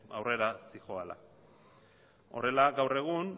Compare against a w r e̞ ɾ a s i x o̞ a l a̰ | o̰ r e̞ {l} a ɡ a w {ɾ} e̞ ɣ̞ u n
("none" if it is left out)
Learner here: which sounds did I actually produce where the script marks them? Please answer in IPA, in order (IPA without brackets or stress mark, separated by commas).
l, r